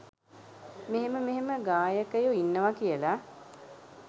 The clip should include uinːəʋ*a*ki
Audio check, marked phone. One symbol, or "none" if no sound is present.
a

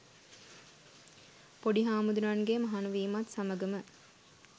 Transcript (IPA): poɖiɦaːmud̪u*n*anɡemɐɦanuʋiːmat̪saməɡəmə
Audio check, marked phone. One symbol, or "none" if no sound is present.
n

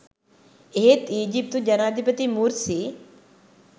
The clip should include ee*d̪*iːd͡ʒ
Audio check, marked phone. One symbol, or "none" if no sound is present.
t̪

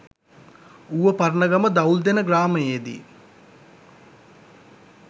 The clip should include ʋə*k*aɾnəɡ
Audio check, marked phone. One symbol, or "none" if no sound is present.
p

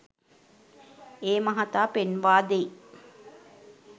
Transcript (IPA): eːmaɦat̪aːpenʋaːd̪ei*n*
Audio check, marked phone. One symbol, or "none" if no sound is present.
none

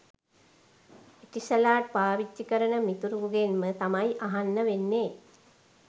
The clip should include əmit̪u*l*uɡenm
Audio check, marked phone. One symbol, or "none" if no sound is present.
ɾ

